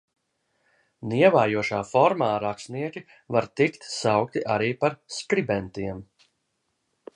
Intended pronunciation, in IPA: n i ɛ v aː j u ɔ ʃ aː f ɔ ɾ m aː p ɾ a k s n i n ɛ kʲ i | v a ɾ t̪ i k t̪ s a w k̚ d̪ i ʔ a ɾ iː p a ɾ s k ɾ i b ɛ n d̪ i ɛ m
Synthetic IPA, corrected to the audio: n i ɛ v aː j u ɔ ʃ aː f ɔ ɾ m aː ɾ a k s n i ɛ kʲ i | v a ɾ t̪ i k t̪ s a w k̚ t̪ i ʔ a ɾ iː p a ɾ s k ɾ i b ɛ n t̪ i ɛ m